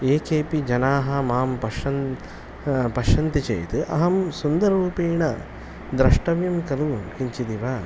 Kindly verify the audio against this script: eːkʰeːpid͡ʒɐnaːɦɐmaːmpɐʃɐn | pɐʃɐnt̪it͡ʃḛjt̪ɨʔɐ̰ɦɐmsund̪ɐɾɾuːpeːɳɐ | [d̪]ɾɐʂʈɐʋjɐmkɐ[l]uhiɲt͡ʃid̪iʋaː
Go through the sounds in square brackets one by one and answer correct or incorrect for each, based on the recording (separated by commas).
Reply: correct, correct